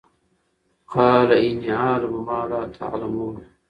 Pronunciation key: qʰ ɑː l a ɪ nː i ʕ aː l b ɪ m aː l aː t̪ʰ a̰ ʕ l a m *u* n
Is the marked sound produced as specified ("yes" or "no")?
no